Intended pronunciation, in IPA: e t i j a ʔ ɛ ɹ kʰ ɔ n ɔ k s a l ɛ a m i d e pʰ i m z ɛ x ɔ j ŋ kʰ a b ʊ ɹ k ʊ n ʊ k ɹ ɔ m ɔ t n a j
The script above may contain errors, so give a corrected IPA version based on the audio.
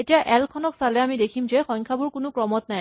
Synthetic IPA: e t i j a ʔ ɛ l kʰ ɔ n ɔ k s a l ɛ a m i d e kʰ i m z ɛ x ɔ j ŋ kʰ a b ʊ ɹ k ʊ n ʊ k ɹ ɔ m ɔ t n a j